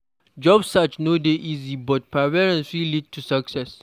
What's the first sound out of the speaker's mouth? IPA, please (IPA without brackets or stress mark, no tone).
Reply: d͡ʒ